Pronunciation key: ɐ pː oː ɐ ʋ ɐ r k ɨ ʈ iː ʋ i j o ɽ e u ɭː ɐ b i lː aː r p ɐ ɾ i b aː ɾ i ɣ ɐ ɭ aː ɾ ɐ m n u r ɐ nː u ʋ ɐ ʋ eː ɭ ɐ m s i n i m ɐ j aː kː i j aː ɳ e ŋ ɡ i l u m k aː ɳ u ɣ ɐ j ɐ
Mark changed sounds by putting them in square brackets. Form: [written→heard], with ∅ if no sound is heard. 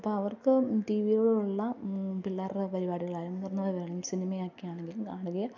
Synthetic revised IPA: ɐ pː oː ɐ ʋ ɐ r k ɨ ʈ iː ʋ i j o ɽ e u ɭː ɐ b i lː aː r p ɐ ɾ i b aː [ɾ→ɽ] i ɣ ɐ ɭ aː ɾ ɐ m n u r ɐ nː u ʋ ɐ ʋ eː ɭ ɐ m s i n i m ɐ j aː kː i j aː ɳ e ŋ ɡ i l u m k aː ɳ u ɣ ɐ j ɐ